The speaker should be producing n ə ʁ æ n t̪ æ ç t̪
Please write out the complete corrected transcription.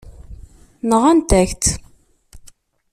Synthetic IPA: n ə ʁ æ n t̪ æ ç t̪